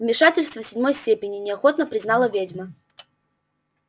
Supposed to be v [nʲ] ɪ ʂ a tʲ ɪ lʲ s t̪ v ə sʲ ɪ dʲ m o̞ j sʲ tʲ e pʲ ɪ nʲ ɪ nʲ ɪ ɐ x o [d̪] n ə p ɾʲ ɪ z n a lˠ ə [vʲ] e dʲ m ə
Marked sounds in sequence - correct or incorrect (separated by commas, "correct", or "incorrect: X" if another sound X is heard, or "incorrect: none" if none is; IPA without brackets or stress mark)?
incorrect: mʲ, incorrect: t̪, correct